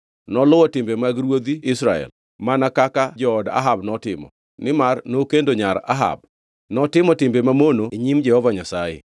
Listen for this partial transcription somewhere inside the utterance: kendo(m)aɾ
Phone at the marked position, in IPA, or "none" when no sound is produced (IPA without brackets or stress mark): ɲ